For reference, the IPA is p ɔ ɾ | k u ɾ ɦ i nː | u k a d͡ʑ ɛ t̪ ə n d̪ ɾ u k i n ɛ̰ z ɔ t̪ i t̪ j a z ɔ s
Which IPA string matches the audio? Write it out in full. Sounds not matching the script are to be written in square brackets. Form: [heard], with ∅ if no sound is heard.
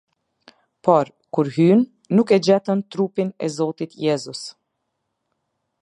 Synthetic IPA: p ɔ ɾ | k u ɾ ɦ [y] nː | u k [ɛ] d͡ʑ ɛ t̪ ə n [t̪] ɾ u [p] i n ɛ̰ z ɔ t̪ i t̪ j [ɛ] z [u] s